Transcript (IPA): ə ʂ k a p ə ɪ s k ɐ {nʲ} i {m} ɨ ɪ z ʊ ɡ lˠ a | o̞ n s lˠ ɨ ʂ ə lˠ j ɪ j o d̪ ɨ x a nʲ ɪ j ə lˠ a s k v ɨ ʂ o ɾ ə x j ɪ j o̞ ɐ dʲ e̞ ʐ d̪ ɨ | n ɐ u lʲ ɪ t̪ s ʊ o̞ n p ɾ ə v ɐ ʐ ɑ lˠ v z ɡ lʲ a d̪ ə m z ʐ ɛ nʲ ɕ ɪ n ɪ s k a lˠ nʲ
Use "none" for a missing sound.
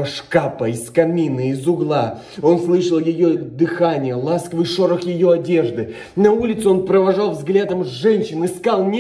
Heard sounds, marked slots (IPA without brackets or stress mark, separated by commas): mʲ, n